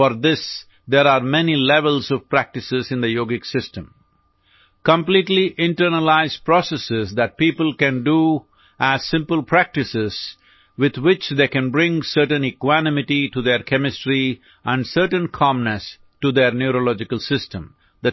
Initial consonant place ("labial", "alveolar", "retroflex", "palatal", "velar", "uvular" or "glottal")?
labial